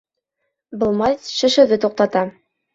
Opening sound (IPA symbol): b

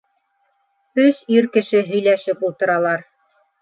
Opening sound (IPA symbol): ɵ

